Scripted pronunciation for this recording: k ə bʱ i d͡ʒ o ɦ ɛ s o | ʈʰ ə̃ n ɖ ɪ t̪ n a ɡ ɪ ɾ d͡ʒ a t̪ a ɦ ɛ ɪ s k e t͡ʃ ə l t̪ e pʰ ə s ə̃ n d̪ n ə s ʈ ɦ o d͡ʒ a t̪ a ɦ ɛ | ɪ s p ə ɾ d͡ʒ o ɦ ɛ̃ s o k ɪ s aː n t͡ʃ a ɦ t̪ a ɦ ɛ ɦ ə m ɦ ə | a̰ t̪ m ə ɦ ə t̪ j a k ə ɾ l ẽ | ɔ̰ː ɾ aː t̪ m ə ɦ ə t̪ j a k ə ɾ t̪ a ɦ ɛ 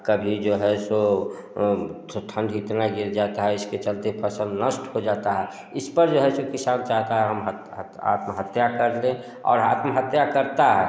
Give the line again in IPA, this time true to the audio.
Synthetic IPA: k ə bʱ i d͡ʒ o ɦ ɛ s o | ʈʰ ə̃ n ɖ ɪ t̪ n a ɡ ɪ ɾ d͡ʒ a t̪ a ɦ ɛ ɪ s k e t͡ʃ ə l t̪ e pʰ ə s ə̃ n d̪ n ə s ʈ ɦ o d͡ʒ a t̪ a ɦ ɛ | ɪ s p ə ɾ d͡ʒ o ɦ ɛ s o k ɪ s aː n t͡ʃ a ɦ t̪ a ɦ ɛ ɦ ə m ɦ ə | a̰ t̪ m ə ɦ ə t̪ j a k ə ɾ l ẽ | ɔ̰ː ɾ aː t̪ m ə ɦ ə t̪ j a k ə ɾ t̪ a ɦ ɛ